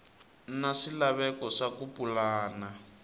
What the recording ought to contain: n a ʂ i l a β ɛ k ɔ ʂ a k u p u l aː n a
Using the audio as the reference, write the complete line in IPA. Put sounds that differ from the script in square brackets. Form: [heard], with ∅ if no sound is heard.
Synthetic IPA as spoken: n a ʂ i l a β ɛ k ɔ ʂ a k u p u l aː n a